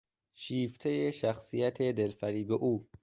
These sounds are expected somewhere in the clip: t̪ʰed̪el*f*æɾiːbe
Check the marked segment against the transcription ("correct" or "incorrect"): correct